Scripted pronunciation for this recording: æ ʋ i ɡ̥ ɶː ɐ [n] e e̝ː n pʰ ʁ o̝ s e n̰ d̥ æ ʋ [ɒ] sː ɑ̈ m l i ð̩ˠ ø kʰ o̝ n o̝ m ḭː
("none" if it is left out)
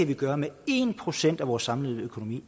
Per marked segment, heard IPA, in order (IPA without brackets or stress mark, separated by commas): m, ɒː